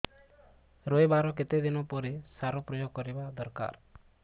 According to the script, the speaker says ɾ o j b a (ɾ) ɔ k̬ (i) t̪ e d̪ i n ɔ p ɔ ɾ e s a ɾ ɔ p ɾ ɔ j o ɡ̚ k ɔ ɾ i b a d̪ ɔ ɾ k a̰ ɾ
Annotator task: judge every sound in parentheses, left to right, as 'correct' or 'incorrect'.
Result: correct, incorrect: e

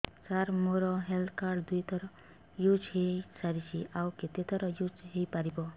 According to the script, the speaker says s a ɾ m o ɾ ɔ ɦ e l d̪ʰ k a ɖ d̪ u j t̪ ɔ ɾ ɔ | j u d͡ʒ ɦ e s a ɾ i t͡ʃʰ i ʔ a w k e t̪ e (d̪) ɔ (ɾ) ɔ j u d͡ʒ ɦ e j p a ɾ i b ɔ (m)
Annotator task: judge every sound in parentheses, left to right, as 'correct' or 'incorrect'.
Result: incorrect: t̪, correct, incorrect: none

